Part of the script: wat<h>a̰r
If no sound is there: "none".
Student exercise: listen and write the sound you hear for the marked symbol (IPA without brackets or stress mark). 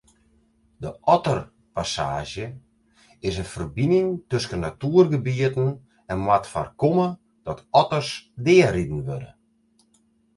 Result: f